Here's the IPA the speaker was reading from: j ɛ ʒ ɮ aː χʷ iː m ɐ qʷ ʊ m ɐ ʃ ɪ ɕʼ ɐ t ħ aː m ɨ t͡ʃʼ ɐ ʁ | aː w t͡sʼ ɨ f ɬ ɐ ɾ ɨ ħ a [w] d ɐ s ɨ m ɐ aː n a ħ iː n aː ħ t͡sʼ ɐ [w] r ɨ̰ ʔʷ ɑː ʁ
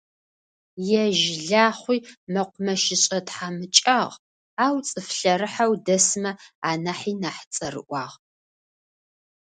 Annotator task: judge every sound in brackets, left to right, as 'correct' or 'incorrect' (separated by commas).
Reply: correct, incorrect